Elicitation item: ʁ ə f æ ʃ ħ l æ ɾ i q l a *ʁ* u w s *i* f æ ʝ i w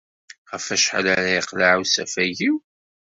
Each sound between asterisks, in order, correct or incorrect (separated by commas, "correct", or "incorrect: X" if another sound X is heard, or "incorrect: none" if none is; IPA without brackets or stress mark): incorrect: ʕ, incorrect: æ